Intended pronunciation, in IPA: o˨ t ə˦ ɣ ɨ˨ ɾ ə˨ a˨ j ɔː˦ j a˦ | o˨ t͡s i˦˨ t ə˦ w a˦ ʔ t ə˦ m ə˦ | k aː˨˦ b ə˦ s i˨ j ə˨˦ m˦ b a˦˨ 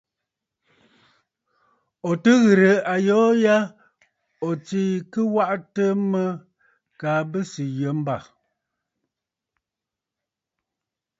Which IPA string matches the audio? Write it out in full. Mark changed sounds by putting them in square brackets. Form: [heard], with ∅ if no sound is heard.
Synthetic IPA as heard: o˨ t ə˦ ɣ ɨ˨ ɾ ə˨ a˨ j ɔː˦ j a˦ | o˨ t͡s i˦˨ [k] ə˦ w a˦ ʔ t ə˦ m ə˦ | k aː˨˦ b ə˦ s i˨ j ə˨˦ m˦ b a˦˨